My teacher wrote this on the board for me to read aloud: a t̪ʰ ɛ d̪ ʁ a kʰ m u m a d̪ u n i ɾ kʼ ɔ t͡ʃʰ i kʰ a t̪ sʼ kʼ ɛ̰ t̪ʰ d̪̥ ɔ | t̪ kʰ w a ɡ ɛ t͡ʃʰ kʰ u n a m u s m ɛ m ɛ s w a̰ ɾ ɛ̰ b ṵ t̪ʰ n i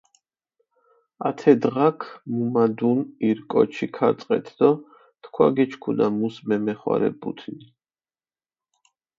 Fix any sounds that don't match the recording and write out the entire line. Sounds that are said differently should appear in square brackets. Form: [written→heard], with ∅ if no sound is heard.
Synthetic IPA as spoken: a t̪ʰ ɛ d̪ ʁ a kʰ m u m a d̪ u n i ɾ kʼ ɔ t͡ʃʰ i kʰ a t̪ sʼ [kʼ→qʼ] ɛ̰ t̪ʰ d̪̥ ɔ | t̪ kʰ w a ɡ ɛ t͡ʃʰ kʰ u n a m u s m ɛ m ɛ [s→χ] w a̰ ɾ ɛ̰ b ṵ t̪ʰ n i